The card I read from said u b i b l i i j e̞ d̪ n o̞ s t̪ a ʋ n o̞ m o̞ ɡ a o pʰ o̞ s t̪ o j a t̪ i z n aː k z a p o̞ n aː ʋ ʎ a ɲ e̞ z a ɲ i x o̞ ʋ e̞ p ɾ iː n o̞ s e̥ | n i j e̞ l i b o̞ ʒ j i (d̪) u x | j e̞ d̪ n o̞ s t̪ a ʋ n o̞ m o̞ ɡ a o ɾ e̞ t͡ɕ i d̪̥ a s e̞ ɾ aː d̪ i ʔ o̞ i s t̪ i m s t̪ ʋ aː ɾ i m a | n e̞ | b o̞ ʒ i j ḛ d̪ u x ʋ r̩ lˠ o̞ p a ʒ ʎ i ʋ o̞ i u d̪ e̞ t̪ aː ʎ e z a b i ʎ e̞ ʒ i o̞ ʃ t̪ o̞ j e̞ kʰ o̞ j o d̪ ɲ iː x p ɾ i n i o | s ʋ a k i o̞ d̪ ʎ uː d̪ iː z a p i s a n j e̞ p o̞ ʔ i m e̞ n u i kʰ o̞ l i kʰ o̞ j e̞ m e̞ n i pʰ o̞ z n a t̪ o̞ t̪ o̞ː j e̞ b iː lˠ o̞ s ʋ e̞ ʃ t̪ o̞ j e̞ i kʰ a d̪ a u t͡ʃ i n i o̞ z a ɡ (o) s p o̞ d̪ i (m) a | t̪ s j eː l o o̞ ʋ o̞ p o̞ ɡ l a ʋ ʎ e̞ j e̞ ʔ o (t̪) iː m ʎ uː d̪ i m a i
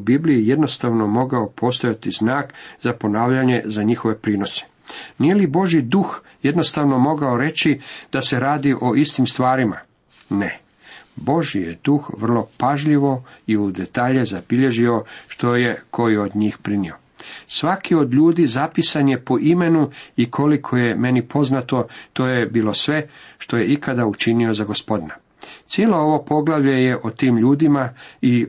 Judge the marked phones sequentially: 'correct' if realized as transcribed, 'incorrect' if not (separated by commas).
correct, correct, incorrect, correct